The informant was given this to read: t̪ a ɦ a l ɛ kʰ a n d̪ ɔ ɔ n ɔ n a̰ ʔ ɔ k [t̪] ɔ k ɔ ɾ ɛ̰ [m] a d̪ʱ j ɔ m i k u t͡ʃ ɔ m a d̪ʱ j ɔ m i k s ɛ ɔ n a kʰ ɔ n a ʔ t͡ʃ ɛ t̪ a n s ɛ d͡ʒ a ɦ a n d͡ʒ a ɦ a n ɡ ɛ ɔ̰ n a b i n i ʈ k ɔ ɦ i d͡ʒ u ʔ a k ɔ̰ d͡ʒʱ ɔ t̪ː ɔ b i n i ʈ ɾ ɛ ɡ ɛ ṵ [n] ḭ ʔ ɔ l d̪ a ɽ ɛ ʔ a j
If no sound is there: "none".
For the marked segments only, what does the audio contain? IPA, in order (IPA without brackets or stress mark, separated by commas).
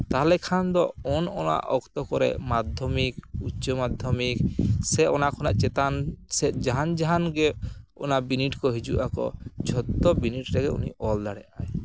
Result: t̪, m, n